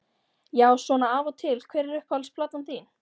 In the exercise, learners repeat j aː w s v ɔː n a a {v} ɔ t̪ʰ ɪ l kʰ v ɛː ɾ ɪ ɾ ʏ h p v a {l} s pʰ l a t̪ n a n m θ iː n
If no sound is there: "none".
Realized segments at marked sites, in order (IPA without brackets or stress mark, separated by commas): v, l